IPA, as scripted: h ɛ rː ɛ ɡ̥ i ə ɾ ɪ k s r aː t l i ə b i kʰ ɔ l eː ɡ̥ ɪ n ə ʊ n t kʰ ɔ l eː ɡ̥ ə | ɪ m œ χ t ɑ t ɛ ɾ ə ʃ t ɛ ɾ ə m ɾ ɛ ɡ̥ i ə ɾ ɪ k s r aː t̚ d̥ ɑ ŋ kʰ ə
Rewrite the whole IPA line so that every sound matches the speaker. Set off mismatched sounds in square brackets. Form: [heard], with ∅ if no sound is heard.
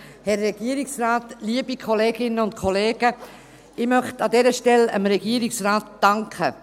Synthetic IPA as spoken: h ɛ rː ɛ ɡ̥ i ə ɾ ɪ k s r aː t l i ə b i kʰ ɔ l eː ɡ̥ ɪ n ə ʊ n t kʰ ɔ l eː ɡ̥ ə | ɪ m œ χ t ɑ [d] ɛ ɾ ə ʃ t ɛ [l] ə m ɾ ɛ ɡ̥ i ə ɾ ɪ k s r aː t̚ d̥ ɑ ŋ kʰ ə